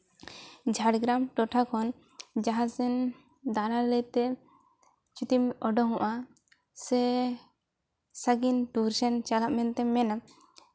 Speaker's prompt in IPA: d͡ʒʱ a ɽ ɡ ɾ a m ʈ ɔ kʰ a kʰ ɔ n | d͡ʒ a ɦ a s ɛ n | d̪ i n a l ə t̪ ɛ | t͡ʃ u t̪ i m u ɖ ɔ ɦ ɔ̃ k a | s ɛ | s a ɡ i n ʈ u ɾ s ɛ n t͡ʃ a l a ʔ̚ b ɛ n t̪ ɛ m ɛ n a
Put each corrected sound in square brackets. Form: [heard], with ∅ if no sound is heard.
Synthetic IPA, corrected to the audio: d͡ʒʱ a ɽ ɡ ɾ a m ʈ ɔ [ʈʰ] a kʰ ɔ n | d͡ʒ a ɦ a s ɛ n | d̪ [a] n a l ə t̪ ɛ | t͡ʃ u t̪ i m [ɔ] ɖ ɔ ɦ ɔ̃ [ʔ] a | s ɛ | s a ɡ i n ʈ u ɾ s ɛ n t͡ʃ a l a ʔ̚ [m] ɛ n t̪ ɛ m ɛ n a